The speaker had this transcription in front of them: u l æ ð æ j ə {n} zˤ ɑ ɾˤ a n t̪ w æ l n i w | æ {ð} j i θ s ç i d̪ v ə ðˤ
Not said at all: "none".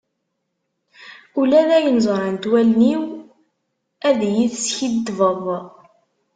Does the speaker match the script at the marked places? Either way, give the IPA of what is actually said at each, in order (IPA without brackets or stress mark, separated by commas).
n, ð